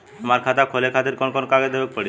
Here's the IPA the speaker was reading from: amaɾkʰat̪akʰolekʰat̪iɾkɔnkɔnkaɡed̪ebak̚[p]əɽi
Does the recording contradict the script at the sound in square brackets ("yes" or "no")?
no